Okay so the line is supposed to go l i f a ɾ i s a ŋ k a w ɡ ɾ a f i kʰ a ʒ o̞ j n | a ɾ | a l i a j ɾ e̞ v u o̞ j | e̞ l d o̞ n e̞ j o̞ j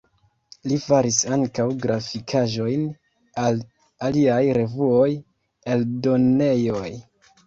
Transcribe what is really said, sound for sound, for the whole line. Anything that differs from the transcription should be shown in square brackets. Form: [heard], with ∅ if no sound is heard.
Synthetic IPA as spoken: l i f a ɾ i s a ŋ k a w ɡ ɾ a f i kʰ a ʒ o̞ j n | a [l] | a l i a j ɾ e̞ v u o̞ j | e̞ l d o̞ n e̞ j o̞ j